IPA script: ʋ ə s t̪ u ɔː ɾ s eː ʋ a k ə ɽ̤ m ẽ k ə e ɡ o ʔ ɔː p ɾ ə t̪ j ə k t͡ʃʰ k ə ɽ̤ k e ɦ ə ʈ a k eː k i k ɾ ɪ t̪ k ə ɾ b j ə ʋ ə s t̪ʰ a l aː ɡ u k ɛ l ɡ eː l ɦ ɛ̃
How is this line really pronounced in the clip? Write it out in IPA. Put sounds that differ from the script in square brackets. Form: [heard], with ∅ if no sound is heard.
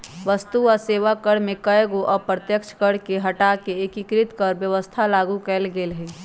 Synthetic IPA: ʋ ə s t̪ u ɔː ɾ s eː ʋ a k ə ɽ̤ m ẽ k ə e ɡ o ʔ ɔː p ɾ ə t̪ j ə k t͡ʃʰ k ə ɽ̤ k e ɦ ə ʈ a k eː k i k ɾ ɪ t̪ k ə ɾ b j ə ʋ ə s t̪ʰ a l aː ɡ u k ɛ l ɡ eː l ɦ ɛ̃